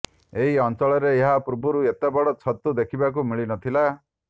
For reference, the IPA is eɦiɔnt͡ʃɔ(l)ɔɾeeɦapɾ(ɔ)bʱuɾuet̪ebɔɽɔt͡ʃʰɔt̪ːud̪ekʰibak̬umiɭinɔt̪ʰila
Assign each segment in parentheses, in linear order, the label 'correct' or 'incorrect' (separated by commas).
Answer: incorrect, incorrect